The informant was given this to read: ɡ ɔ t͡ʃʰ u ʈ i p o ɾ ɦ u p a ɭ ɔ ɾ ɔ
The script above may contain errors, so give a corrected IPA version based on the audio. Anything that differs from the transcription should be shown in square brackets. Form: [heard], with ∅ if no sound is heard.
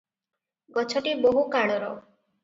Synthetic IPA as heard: ɡ ɔ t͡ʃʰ [ɔ] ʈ i [b] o [∅] ɦ u [k] a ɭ ɔ ɾ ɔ